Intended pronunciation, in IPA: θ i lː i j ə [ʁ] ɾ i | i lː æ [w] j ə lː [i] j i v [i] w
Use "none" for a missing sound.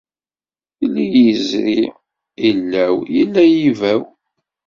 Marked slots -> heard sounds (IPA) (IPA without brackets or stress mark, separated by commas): z, w, æ, æ